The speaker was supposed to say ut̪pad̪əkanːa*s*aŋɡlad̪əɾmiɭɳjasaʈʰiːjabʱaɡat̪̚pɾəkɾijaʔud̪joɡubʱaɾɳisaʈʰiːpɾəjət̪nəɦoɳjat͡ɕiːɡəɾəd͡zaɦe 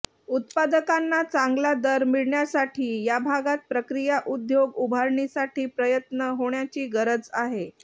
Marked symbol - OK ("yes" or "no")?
no